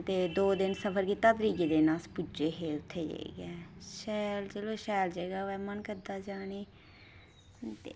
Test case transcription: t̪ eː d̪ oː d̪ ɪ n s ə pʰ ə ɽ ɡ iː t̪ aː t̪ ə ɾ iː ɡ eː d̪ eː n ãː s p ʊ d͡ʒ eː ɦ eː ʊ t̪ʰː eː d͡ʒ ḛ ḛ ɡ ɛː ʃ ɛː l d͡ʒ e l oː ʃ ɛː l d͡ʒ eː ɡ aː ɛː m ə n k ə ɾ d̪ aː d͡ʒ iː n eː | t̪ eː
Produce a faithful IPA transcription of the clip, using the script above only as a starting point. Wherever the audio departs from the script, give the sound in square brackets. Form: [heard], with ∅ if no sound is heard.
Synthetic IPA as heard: t̪ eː d̪ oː d̪ ɪ n s ə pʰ ə [ɾ] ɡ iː t̪ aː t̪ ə ɾ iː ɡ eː d̪ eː n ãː s p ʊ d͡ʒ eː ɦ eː ʊ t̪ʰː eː d͡ʒ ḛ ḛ ɡ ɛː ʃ ɛː l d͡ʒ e l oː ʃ ɛː l d͡ʒ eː ɡ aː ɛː m ə n k ə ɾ d̪ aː d͡ʒ [aː] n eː | t̪ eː

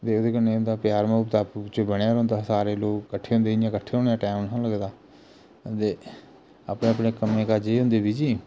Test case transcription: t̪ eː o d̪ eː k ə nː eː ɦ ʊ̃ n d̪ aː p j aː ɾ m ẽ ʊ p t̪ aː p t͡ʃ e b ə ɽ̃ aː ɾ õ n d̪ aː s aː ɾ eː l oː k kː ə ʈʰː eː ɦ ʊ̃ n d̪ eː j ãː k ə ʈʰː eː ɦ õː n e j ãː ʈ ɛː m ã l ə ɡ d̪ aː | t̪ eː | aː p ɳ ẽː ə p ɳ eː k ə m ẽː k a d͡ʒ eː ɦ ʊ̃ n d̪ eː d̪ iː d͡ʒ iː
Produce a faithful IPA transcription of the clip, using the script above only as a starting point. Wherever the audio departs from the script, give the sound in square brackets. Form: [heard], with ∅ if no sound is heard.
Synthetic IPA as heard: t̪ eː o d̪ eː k ə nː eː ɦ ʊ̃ n d̪ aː p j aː ɾ m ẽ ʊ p t̪ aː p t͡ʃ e b ə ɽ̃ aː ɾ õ n d̪ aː s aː ɾ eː l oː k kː ə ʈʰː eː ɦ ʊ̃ n d̪ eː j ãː k ə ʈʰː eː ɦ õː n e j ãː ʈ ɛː m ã l ə ɡ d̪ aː | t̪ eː | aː p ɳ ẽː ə p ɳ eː k ə m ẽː k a d͡ʒ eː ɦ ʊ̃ n d̪ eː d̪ iː d͡ʒ iː

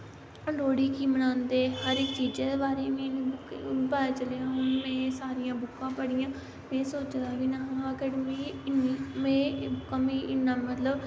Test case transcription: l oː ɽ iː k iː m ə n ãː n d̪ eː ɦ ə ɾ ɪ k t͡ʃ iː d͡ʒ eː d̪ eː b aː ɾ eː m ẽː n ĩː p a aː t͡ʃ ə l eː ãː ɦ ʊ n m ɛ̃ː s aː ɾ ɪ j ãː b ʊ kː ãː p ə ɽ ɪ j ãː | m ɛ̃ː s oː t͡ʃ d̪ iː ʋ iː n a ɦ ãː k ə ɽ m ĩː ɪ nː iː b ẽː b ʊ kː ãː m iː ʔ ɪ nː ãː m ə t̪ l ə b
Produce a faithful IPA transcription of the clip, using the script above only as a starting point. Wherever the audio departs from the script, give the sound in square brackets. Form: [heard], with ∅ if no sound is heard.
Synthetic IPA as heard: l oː ɽ iː k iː m ə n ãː n d̪ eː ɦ ə ɾ ɪ k t͡ʃ iː d͡ʒ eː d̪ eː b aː ɾ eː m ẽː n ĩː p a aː t͡ʃ ə l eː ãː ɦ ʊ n m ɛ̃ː s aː ɾ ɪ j ãː b ʊ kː ãː p ə ɽ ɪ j ãː | m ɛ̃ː s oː t͡ʃ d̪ [aː] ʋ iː n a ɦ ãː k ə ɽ m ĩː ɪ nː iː [m] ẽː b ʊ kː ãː m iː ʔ ɪ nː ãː m ə t̪ l ə b

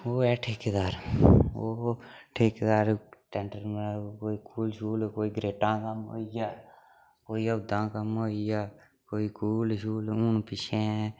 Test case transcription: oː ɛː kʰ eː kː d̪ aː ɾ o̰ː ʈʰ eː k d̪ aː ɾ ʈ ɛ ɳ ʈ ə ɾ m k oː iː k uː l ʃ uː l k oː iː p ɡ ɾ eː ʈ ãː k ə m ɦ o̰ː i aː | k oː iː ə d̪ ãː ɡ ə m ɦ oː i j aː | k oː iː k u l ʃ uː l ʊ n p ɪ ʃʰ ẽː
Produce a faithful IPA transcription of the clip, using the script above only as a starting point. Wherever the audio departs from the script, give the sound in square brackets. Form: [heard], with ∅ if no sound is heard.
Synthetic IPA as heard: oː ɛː [ʈʰ] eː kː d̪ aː ɾ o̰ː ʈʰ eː k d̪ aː ɾ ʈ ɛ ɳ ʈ ə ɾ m k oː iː k uː l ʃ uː l k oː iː [∅] ɡ ɾ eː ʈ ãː k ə m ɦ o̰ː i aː | k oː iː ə d̪ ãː [k] ə m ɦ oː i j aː | k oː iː k [uː] l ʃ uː l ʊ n p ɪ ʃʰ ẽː

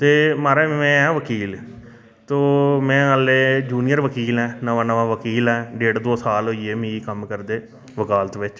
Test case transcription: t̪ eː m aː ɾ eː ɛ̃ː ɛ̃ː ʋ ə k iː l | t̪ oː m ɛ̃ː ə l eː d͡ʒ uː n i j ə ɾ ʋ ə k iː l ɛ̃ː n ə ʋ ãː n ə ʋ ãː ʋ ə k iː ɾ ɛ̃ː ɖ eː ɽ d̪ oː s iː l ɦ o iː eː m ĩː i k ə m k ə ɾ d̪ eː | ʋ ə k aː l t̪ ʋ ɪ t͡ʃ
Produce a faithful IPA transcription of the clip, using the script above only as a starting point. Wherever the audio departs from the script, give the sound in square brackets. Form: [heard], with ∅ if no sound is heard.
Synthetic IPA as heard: t̪ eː m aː ɾ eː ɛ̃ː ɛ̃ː ʋ ə k iː l | t̪ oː m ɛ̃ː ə l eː d͡ʒ uː n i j ə ɾ ʋ ə k iː l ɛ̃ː n ə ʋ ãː n ə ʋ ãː ʋ ə k iː [l] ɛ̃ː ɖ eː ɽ d̪ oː s [aː] l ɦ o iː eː m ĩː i k ə m k ə ɾ d̪ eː | ʋ ə k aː l t̪ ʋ ɪ t͡ʃ

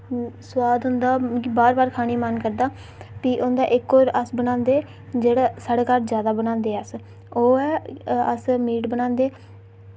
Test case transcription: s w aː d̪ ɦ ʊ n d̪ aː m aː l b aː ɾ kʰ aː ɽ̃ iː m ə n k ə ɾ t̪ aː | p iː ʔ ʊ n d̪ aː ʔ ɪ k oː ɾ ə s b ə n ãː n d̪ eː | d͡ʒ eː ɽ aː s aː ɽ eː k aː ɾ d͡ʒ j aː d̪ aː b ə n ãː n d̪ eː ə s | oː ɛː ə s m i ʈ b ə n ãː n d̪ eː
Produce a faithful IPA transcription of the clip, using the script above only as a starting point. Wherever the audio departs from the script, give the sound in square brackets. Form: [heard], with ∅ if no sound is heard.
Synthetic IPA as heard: s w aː d̪ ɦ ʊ n d̪ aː [b] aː [ɾ] b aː ɾ kʰ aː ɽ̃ iː m ə n k ə ɾ [d̪] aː | p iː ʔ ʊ n d̪ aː ʔ ɪ k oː ɾ ə s b ə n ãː n d̪ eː | d͡ʒ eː ɽ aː s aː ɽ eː k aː ɾ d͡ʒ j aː d̪ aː b ə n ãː n d̪ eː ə s | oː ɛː ə s m [iː] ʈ b ə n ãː n d̪ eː

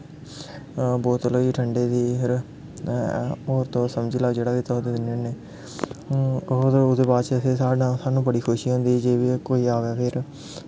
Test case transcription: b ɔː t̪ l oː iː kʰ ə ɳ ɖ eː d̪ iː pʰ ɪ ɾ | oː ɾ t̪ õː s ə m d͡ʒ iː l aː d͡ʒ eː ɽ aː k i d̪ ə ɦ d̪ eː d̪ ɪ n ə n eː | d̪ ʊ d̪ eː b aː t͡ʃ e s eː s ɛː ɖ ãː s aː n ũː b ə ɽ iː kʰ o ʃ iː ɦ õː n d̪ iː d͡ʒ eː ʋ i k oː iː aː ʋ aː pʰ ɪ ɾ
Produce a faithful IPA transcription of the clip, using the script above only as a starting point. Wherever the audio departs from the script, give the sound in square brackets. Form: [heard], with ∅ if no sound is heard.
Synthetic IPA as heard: b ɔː t̪ l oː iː [ʈʰ] ə ɳ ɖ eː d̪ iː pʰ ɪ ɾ | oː ɾ t̪ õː s ə m d͡ʒ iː l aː d͡ʒ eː ɽ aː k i [t̪] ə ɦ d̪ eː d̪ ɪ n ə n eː | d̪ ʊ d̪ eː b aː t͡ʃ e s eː s [aː] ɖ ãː s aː n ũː b ə ɽ iː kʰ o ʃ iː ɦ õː n d̪ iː d͡ʒ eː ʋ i k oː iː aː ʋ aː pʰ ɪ ɾ

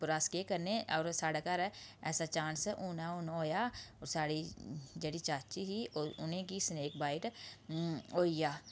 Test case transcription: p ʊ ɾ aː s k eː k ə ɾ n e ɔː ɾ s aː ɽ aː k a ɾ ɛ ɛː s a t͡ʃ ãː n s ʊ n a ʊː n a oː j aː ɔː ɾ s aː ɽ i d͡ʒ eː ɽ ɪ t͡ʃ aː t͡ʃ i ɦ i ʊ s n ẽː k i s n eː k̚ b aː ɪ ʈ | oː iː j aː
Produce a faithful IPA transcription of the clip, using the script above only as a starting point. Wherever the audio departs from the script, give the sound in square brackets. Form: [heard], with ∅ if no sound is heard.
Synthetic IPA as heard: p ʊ ɾ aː s k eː k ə ɾ n e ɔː ɾ s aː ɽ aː k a ɾ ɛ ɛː s a t͡ʃ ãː n s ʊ n a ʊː n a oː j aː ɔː ɾ s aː ɽ i d͡ʒ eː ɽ [i] t͡ʃ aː t͡ʃ i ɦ i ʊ [∅] n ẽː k i s n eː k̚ b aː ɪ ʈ | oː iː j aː

